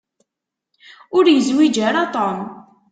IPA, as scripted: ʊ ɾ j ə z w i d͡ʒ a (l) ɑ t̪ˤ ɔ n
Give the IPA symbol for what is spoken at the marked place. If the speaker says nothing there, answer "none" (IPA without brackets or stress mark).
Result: ɾ